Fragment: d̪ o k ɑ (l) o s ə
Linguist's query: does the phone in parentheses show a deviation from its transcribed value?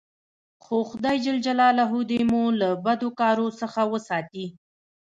yes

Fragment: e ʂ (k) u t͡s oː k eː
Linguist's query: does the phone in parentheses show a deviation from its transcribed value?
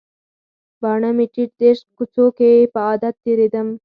no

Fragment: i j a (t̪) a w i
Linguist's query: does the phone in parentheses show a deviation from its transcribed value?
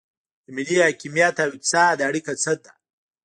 no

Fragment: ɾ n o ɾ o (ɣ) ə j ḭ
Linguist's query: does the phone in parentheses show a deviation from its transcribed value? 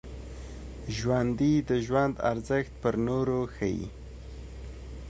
yes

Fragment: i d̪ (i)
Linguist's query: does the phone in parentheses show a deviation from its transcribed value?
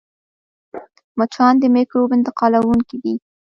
no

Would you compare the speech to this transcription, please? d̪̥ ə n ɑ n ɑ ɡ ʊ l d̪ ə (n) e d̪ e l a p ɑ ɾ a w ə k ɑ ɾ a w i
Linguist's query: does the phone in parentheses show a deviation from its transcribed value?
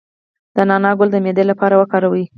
yes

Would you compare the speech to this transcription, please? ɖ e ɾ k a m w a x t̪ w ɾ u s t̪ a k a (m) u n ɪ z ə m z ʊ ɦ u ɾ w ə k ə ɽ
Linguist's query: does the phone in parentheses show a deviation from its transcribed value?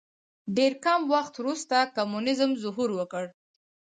no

